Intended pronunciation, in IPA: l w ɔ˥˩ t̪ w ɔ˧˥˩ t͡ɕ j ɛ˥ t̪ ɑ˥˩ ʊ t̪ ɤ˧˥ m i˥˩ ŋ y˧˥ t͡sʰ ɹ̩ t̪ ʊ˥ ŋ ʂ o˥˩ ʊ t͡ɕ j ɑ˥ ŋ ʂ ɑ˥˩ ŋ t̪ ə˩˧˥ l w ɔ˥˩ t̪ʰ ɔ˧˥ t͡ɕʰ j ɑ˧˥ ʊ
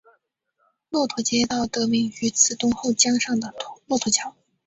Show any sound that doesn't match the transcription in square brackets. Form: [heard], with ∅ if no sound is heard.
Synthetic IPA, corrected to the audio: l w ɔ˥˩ [t̪ʰ] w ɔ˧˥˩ t͡ɕ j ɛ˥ t̪ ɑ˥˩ ʊ t̪ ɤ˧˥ m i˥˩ ŋ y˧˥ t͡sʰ ɹ̩ t̪ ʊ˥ ŋ [x] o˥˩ ʊ t͡ɕ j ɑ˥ ŋ ʂ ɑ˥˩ ŋ [d̪] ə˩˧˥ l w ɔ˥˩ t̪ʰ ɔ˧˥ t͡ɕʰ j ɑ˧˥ ʊ